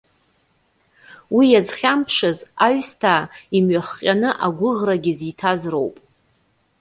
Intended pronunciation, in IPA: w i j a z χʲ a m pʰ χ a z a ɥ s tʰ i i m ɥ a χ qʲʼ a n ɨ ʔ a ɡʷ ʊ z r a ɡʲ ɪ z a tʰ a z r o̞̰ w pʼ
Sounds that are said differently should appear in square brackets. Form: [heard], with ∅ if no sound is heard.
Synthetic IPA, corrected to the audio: w i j a z χʲ a m pʰ [ʂ] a z a ɥ s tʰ [a] i m ɥ a χ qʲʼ a n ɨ ʔ a ɡʷ ʊ [ʁ] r a ɡʲ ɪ z [i] tʰ a z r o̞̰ w pʼ

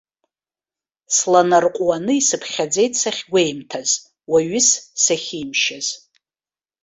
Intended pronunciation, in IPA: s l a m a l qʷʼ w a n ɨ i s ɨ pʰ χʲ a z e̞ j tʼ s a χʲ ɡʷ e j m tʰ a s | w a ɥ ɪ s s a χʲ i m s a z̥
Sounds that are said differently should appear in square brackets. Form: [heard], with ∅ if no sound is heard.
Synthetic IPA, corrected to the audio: s l a [n] a [r] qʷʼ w a n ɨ i s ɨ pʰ χʲ a [d͡z] e̞ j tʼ s a χʲ ɡʷ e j m tʰ a [z] | w a ɥ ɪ s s a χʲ i m [ʃ] a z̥

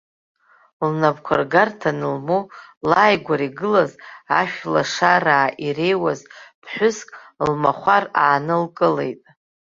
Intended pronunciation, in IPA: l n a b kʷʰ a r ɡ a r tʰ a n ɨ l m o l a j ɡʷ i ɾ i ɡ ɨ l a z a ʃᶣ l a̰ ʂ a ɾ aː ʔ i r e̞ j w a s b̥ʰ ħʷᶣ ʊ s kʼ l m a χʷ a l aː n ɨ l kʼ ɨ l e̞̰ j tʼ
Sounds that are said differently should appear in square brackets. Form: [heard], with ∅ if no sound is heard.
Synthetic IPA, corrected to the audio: l n a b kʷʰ a r ɡ a r tʰ a n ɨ l m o l a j ɡʷ [a] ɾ i ɡ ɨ l a z a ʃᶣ l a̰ ʂ a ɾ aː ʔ i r e̞ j w a [z] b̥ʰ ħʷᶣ ʊ s kʼ l m a χʷ a [r] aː n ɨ l kʼ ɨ l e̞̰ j tʼ

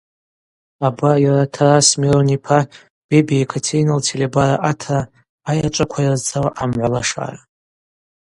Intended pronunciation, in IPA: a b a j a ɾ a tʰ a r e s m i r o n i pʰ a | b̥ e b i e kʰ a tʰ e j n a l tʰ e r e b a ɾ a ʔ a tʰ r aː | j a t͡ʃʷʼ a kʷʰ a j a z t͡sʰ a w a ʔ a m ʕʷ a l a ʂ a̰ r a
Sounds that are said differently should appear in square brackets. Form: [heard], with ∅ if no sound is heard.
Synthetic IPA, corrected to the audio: a b a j a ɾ a tʰ a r [a] s m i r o n i pʰ a | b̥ e b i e kʰ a tʰ e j n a l tʰ e [l] e b a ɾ a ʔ a tʰ r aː | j a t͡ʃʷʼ a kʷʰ a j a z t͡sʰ a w a ʔ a m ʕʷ a l a ʂ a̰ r a

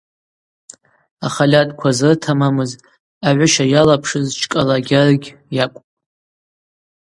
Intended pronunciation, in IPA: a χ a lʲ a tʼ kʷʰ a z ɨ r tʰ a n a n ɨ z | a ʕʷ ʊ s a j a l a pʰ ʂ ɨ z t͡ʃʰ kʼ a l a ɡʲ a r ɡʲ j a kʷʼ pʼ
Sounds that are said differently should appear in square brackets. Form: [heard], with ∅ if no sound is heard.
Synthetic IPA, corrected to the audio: a χ a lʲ a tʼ kʷʰ a z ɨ r tʰ a [m] a [m] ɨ z | a ʕʷ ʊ [ʃ] a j a l a pʰ ʂ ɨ z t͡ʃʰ kʼ a l a ɡʲ a r ɡʲ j a kʷʼ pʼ

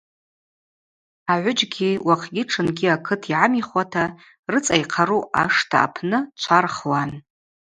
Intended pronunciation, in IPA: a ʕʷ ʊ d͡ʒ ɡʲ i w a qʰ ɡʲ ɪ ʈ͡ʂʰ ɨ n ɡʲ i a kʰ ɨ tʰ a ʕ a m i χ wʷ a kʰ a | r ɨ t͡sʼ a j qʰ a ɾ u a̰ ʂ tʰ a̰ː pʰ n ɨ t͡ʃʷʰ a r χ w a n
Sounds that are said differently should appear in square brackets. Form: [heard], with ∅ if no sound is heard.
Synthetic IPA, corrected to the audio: a ʕʷ ʊ d͡ʒ ɡʲ i w a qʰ ɡʲ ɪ ʈ͡ʂʰ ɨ n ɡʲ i a kʰ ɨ tʰ [i] ʕ a m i χ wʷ a [tʰ] a | r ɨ t͡sʼ a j qʰ a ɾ u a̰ ʂ tʰ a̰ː pʰ n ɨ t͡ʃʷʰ a r χ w a n

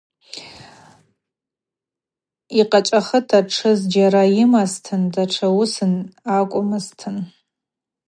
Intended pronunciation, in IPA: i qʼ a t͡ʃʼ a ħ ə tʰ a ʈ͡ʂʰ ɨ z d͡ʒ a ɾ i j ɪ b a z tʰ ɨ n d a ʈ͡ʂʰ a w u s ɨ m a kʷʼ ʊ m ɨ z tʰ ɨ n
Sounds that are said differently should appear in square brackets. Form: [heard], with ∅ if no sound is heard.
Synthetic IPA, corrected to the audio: i qʼ a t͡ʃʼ a [χ] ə tʰ a ʈ͡ʂʰ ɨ z d͡ʒ a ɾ [a] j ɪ [m] a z tʰ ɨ n d a ʈ͡ʂʰ a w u s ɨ [n] a kʷʼ ʊ m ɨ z tʰ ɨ n

